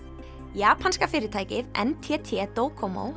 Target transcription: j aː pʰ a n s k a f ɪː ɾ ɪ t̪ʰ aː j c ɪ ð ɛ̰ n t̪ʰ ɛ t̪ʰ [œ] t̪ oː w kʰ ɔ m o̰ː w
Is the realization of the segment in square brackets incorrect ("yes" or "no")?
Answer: yes